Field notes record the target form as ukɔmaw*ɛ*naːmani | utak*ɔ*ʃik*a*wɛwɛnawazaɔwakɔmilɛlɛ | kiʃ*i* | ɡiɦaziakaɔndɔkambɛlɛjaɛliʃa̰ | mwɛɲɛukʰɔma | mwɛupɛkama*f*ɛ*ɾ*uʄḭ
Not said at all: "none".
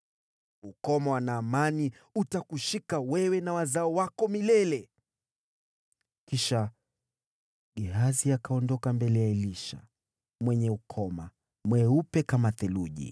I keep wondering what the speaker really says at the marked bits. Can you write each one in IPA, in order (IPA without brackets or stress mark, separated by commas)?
a, u, a, a, θ, l